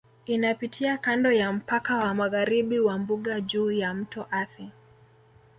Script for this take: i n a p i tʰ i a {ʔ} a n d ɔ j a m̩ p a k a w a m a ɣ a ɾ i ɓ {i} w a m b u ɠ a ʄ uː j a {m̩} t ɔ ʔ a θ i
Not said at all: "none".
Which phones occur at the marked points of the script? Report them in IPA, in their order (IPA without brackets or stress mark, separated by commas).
k, i, m̩